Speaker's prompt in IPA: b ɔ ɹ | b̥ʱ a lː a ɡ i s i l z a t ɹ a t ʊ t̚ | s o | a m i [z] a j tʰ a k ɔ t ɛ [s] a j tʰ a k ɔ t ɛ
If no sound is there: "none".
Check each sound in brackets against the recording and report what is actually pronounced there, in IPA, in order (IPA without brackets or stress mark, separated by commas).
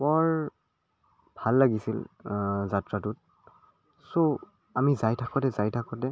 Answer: z, z